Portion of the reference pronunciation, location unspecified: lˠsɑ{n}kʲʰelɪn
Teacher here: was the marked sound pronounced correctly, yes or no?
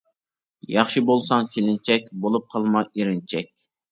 no